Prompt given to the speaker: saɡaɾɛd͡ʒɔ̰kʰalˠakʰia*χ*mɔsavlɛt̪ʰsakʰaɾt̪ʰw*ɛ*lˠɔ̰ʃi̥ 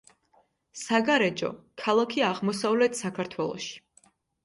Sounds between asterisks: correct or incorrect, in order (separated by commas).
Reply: incorrect, correct